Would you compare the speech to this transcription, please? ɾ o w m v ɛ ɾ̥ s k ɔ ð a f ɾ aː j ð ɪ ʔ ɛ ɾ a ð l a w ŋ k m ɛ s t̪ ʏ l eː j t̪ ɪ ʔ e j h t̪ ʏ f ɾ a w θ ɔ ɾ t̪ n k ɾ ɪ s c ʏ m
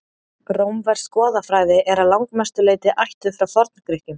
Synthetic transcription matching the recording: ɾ o w m v ɛ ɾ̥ s k ɔː ð a f ɾ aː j ð ɪ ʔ ɛ ɾ a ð l a w ŋ k m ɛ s t̪ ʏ l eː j t̪ ɪ ʔ a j h t̪ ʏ f ɾ a w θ ɔ ɾ t̪ n k ɾ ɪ h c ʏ m